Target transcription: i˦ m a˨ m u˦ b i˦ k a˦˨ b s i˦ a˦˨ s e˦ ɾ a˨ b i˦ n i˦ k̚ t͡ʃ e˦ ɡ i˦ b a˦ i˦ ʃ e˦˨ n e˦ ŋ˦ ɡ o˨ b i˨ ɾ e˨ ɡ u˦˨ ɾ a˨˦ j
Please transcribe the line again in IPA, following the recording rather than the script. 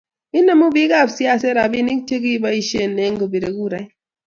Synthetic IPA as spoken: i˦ n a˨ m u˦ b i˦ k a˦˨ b s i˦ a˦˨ s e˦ ɾ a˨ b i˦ n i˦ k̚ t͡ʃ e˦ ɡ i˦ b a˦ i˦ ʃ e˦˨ n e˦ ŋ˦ ɡ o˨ b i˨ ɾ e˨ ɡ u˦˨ ɾ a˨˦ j